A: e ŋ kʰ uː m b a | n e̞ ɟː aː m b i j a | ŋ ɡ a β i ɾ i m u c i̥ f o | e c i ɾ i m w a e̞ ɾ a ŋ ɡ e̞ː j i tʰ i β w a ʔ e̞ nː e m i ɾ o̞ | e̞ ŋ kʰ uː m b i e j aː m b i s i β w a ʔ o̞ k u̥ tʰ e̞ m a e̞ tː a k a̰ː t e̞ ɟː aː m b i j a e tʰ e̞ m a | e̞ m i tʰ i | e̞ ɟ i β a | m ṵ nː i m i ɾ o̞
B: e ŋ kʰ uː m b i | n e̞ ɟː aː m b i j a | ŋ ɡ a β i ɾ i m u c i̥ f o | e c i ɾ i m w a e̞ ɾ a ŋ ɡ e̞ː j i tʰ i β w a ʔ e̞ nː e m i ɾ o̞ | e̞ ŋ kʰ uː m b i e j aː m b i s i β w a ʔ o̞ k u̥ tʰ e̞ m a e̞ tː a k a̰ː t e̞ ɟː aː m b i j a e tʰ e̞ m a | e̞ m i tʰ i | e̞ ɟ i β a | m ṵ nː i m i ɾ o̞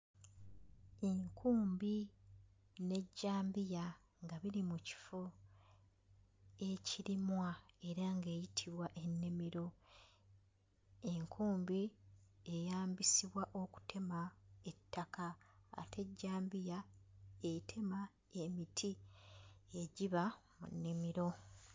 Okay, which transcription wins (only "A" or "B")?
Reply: B